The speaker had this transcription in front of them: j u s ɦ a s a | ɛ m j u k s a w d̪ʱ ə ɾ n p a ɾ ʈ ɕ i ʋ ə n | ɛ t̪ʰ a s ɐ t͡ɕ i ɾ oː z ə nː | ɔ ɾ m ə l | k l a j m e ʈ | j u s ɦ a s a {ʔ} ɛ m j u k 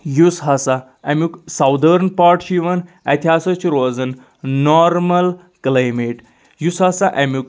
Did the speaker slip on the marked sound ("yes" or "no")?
no